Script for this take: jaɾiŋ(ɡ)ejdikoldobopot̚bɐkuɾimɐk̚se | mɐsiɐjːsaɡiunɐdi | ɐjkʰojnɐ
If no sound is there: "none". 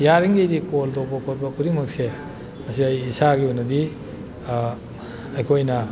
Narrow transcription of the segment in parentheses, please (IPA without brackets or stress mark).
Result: ɡ